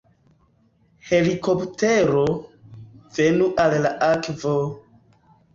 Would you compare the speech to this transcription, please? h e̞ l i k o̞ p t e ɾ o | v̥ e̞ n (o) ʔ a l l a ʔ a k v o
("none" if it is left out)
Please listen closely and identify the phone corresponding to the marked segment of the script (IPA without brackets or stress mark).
u